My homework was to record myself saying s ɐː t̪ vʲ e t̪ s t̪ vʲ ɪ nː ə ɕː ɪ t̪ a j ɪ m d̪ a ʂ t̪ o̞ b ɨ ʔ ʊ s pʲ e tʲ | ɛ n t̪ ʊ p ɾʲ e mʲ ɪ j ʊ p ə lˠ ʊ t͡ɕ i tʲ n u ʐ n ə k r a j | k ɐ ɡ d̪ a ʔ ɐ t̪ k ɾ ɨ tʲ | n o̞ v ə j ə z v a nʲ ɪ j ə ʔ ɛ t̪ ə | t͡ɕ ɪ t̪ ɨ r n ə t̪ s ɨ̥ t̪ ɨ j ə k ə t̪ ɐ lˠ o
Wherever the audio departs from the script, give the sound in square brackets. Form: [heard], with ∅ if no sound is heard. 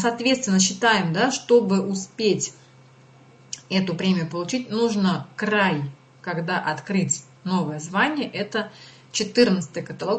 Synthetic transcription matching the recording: s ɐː t̪ vʲ e t̪ s t̪ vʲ ɪ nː ə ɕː ɪ t̪ a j ɪ m d̪ a ʂ t̪ o̞ b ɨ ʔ ʊ s pʲ e tʲ | ɛ [∅] t̪ ʊ p ɾʲ e mʲ ɪ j ʊ p ə lˠ ʊ t͡ɕ i tʲ n u ʐ n ə k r a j | k ɐ ɡ d̪ a ʔ ɐ t̪ k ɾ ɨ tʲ | n o̞ v ə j ə z v a nʲ ɪ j ə ʔ ɛ t̪ ə | t͡ɕ ɪ t̪ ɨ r n ə t̪ s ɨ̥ t̪ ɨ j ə k ə t̪ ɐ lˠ o